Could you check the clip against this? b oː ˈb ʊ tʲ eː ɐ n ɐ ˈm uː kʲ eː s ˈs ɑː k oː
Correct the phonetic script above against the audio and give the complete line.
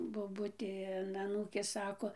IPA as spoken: b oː ˈb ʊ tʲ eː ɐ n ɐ ˈn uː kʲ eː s ˈs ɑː k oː